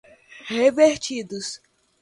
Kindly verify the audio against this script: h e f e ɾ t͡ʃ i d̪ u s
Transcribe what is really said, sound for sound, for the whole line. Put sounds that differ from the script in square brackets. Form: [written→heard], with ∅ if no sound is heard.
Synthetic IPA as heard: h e [f→v] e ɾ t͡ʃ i d̪ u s